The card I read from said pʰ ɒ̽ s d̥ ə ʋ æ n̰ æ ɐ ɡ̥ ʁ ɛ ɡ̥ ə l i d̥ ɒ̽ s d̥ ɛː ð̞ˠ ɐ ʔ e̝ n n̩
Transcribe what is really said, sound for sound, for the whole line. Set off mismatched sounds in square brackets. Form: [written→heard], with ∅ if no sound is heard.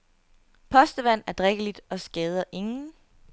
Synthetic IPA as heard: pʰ ɒ̽ s d̥ ə ʋ æ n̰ æ ɐ [ɡ̥→d̥] ʁ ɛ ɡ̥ ə l i d̥ ɒ̽ s [d̥→ɡ̥] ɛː ð̞ˠ ɐ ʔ e̝ [n→ŋ] n̩